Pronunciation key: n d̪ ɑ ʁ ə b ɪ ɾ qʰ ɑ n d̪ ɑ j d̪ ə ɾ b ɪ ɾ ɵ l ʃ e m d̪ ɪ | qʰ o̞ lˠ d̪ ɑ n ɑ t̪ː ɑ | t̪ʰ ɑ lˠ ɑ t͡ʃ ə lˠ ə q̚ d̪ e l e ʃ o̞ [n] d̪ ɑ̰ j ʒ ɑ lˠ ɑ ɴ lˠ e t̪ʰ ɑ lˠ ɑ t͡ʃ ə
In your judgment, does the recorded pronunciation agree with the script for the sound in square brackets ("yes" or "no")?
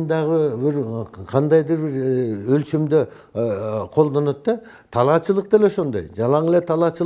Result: yes